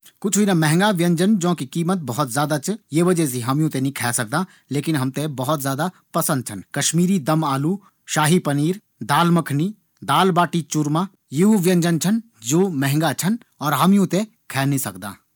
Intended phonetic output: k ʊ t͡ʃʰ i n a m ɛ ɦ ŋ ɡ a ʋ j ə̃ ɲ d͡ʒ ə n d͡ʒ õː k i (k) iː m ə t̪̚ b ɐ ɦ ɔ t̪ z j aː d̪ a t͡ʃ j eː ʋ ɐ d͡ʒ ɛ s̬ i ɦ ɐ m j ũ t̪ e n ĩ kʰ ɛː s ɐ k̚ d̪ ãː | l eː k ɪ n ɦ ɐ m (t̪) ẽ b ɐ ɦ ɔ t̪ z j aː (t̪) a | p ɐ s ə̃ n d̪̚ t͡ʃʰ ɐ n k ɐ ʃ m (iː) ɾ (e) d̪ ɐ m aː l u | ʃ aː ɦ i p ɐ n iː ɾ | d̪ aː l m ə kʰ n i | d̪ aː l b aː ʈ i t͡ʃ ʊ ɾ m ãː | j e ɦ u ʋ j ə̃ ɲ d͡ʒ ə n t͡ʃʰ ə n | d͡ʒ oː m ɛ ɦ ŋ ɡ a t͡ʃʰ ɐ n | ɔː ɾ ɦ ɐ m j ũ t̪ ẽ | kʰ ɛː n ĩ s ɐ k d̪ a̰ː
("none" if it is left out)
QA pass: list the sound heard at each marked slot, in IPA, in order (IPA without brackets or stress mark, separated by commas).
k, t̪, d̪, iː, i